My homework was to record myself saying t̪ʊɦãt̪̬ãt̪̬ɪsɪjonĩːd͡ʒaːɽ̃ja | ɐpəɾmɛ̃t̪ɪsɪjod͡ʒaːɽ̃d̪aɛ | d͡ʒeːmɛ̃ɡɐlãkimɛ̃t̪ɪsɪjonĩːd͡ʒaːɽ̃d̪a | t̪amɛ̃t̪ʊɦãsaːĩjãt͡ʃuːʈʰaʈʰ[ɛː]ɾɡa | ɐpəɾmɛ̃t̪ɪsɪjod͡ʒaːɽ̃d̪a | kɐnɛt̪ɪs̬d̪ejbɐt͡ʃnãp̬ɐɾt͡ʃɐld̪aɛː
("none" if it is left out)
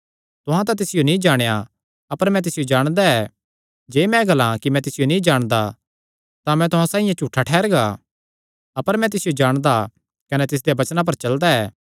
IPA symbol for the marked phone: ɛː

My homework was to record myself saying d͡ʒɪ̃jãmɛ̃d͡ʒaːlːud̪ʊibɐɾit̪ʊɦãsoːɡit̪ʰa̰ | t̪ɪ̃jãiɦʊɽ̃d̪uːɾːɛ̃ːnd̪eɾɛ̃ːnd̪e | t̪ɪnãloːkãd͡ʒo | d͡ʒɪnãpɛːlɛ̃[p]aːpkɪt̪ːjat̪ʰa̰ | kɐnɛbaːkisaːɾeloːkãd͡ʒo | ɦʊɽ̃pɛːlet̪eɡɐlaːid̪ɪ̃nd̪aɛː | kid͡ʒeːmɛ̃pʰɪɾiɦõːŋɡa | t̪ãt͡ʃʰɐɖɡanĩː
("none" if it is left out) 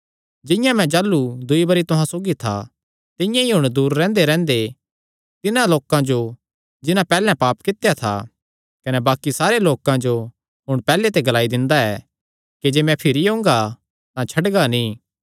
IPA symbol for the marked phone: p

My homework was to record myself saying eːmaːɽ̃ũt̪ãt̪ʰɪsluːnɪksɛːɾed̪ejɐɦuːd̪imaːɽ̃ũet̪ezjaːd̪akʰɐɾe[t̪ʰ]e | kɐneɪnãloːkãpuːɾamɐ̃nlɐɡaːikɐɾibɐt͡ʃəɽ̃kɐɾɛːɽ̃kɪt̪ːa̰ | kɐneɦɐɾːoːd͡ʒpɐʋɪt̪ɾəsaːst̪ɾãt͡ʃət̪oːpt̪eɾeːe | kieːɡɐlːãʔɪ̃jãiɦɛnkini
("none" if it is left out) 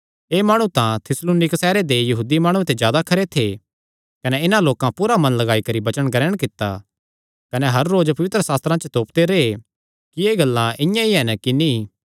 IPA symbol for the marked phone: t̪ʰ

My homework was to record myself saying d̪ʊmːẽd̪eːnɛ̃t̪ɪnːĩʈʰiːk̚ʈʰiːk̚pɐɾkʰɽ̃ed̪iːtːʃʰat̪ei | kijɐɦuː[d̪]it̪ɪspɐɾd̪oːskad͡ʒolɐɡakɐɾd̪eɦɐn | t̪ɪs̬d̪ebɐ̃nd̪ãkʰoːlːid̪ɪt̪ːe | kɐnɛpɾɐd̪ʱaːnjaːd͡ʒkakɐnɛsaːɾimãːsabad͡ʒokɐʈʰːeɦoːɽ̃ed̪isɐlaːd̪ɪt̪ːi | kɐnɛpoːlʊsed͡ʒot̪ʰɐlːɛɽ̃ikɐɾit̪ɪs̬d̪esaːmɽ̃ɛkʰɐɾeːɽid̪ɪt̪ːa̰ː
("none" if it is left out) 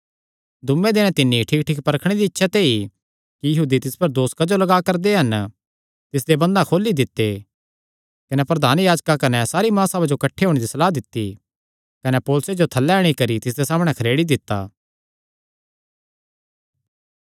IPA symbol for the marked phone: d̪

